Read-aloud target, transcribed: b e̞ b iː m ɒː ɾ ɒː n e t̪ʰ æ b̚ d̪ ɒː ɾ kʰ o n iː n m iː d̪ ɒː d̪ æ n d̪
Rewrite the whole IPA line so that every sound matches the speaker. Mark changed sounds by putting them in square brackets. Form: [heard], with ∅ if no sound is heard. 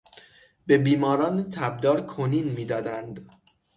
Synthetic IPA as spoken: b e̞ b iː m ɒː ɾ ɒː n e t̪ʰ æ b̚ d̪ ɒː ɾ kʰ o n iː n m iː d̪ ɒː d̪ æ n d̪